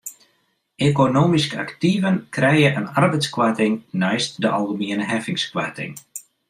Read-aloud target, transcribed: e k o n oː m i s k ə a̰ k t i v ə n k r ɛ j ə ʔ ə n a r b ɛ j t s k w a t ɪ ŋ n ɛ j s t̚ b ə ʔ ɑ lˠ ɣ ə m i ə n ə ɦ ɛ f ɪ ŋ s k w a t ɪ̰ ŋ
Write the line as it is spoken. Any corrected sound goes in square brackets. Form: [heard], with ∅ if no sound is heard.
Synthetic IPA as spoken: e k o n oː m i s k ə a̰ k t i v ə n k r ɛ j ə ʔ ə n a r b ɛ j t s k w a t ɪ ŋ n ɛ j s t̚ [d] ə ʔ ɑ lˠ ɣ ə m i ə n ə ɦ ɛ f ɪ ŋ s k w a t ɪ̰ ŋ